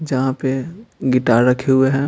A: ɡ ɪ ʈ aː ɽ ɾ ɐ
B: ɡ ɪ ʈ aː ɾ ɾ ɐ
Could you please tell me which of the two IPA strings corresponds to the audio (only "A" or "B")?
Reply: B